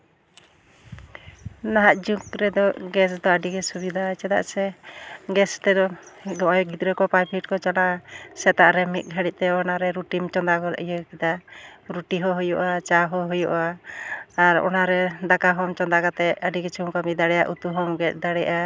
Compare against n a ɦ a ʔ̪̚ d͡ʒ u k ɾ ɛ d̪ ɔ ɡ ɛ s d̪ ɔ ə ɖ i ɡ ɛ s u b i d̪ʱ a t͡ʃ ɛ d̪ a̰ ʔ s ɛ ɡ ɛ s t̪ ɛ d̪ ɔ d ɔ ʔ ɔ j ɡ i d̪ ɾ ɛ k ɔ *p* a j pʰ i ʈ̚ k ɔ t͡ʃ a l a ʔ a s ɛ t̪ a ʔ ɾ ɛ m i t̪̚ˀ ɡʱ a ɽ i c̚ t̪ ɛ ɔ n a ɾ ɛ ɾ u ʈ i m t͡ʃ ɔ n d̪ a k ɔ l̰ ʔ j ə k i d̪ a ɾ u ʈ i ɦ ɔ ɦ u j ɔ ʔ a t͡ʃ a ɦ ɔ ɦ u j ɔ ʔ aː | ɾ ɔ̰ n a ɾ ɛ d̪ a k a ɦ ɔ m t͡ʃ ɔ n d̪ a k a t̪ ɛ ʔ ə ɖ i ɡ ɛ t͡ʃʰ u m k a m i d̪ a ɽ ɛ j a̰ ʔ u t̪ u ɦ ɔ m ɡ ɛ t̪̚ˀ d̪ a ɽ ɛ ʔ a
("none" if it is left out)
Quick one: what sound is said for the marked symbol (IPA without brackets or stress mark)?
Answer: p